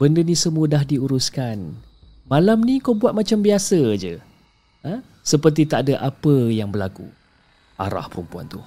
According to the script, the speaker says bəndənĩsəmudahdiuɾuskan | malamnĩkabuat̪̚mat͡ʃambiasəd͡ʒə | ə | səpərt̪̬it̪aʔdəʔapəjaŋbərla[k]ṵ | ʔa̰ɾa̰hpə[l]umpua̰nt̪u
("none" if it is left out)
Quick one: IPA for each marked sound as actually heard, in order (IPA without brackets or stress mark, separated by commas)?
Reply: k, ɾ